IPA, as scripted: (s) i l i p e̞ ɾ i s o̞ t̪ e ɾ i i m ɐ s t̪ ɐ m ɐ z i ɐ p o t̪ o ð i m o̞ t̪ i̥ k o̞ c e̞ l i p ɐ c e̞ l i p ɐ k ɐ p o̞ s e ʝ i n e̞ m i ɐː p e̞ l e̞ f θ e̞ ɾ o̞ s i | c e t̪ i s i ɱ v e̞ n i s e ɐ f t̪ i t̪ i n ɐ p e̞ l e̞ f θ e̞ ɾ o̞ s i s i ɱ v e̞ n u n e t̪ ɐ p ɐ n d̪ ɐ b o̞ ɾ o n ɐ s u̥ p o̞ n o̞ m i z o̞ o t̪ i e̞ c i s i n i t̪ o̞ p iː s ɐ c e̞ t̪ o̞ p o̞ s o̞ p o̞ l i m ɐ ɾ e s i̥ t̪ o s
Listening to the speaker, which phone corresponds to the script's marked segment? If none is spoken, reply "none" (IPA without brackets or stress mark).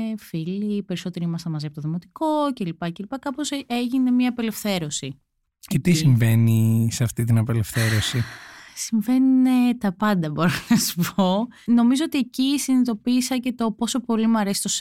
f